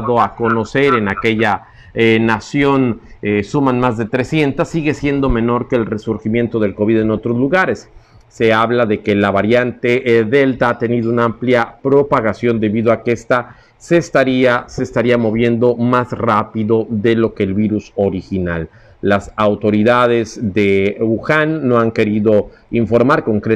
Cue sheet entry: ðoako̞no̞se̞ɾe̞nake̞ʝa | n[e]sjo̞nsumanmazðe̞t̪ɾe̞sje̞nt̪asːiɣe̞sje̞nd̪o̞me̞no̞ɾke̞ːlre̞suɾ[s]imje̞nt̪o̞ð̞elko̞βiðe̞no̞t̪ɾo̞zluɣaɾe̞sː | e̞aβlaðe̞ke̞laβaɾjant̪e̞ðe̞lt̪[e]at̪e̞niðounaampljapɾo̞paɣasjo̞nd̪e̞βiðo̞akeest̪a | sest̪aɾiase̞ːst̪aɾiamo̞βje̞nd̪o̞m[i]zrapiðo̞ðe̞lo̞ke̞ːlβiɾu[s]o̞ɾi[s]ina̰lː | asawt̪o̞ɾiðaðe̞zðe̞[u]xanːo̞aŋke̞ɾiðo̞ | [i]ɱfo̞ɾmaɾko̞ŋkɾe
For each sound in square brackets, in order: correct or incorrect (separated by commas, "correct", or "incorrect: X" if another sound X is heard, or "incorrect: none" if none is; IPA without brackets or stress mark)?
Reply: incorrect: a, incorrect: x, incorrect: a, incorrect: a, correct, incorrect: x, correct, correct